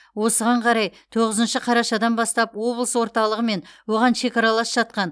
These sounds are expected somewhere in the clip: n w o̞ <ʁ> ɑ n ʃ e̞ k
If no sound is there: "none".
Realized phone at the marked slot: ʁ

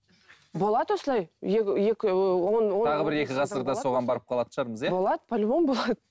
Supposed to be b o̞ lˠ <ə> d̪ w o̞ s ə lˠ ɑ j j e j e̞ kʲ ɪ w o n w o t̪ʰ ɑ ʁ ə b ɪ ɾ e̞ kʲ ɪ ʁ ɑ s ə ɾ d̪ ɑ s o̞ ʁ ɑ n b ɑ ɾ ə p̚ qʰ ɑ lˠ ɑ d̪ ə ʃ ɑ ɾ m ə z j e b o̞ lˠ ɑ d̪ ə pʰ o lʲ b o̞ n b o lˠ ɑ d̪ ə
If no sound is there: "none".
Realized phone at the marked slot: ɑ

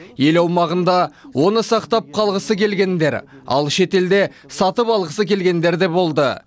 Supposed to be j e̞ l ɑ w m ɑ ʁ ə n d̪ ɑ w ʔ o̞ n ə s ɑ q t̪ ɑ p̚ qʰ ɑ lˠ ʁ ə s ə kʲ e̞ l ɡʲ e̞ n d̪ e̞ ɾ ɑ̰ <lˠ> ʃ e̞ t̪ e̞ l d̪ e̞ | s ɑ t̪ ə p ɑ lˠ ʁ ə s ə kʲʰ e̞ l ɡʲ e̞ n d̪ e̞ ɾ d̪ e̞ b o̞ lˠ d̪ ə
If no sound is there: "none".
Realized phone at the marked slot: lˠ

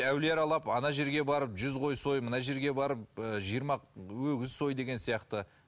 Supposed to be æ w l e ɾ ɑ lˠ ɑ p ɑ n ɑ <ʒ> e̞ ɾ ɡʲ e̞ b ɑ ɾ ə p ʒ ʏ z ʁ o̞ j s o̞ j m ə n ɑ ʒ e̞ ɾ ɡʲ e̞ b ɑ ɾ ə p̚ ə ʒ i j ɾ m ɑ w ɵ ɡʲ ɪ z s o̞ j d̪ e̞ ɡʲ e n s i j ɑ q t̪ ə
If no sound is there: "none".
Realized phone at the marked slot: ʒ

